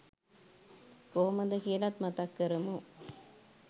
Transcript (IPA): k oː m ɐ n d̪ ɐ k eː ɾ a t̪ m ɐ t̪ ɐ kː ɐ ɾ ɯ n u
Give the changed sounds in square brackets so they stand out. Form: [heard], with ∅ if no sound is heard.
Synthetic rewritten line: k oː m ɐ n d̪ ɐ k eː [l] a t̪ m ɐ t̪ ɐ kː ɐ ɾ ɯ [m] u

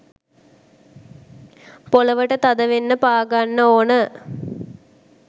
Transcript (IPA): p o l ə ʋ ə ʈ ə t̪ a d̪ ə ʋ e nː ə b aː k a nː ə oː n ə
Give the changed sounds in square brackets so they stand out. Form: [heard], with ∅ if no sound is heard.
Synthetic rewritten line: p o l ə ʋ ə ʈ ə t̪ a d̪ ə ʋ e nː ə [p] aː [ɡ] a nː ə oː n ə

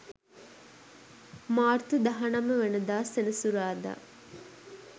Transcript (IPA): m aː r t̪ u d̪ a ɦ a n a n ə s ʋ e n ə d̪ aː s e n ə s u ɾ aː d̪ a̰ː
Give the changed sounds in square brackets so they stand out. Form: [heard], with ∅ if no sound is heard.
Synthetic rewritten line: m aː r t̪ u d̪ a ɦ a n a [m] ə [∅] ʋ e n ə d̪ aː s e n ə s u ɾ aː d̪ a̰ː

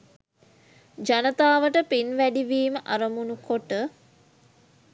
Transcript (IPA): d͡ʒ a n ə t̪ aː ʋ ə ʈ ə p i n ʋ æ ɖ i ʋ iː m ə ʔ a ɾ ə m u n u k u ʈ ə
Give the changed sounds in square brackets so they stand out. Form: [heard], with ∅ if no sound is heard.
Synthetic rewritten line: d͡ʒ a n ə t̪ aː ʋ ə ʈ ə p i n ʋ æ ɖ i ʋ iː m ə ʔ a ɾ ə m u n u k [o] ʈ ə

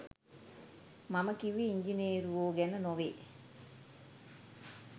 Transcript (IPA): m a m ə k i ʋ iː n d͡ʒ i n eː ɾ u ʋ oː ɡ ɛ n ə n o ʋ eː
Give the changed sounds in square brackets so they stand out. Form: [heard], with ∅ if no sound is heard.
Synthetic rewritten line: m a m ə k i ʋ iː [ɲ] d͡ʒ i n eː ɾ u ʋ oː ɡ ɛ n ə n o ʋ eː

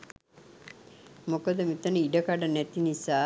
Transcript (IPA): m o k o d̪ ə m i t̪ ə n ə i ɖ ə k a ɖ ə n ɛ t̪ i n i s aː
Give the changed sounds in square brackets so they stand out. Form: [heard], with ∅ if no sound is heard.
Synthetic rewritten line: m o k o d̪ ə m i t̪ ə n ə i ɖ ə k a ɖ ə n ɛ t̪ i n i s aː

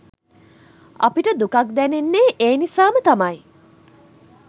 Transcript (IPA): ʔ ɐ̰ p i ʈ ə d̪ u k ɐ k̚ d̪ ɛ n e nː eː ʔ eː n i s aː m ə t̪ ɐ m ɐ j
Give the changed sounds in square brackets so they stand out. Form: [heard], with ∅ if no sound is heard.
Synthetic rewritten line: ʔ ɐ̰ p i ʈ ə d̪ u k ɐ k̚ d̪ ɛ n e nː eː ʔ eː n i s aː m ə t̪ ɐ m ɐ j

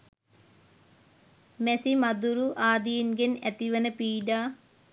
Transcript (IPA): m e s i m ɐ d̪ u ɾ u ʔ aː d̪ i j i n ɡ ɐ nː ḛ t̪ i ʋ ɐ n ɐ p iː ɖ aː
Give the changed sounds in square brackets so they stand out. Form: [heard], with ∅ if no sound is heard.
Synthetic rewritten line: m e s i m ɐ d̪ u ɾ u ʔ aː d̪ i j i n ɡ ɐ [n] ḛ t̪ i ʋ ɐ n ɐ p iː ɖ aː

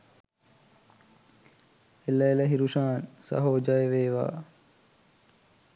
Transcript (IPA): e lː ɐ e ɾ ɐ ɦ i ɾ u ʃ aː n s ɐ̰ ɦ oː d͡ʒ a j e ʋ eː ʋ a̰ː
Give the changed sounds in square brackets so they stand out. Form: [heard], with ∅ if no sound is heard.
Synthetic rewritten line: e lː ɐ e [l] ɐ ɦ i ɾ u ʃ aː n s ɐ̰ ɦ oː d͡ʒ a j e ʋ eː ʋ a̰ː

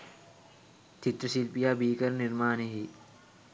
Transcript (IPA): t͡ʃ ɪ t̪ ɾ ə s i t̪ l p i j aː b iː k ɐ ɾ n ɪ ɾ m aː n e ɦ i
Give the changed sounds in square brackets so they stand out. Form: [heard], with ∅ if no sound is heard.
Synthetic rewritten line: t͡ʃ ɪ t̪ ɾ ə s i [∅] l p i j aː b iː k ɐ ɾ n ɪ ɾ m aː n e ɦ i

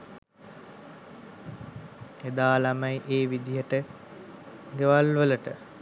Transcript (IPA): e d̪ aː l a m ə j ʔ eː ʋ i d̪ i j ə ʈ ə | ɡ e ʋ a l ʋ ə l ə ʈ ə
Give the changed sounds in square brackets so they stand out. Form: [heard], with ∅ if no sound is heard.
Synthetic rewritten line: e d̪ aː l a m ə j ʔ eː ʋ i d̪ i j ə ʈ ə | ɡ e ʋ a l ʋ ə l ə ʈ ə

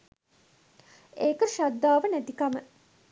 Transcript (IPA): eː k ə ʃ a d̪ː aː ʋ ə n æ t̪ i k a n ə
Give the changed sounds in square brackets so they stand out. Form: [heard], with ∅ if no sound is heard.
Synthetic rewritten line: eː k ə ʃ a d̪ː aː ʋ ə n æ t̪ i k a [m] ə

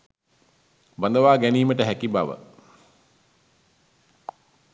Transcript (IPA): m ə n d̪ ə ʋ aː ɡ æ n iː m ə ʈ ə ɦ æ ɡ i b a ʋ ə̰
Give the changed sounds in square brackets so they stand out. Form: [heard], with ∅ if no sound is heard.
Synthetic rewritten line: [b] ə n d̪ ə ʋ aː ɡ æ n iː m ə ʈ ə ɦ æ [k] i b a ʋ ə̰

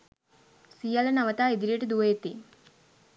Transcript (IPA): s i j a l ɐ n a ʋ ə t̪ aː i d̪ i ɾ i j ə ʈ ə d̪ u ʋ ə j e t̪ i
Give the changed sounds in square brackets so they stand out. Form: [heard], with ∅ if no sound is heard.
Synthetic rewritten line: s i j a l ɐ n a ʋ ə t̪ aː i d̪ i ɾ i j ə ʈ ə d̪ u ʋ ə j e t̪ i

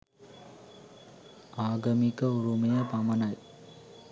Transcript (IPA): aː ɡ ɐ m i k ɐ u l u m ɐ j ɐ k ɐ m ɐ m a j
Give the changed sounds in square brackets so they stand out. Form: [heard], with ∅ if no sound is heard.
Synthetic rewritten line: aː ɡ ɐ m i k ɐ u [ɾ] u m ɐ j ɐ [p] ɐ m ɐ [n] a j

